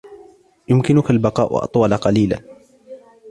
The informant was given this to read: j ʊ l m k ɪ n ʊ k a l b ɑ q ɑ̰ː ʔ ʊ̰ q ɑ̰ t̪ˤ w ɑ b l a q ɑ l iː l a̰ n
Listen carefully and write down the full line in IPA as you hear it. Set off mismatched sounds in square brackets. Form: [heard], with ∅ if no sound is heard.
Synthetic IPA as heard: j ʊ [∅] m k ɪ n ʊ k a l b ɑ q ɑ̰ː ʔ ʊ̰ [ʔ] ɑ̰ t̪ˤ w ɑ [∅] l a q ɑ l iː l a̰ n